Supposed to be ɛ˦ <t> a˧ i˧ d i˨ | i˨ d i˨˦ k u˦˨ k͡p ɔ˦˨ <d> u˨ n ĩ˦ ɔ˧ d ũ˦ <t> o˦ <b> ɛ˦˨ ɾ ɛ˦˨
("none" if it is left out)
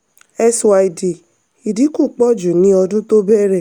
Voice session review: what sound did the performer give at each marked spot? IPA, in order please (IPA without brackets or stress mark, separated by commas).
s, d͡ʒ, t, b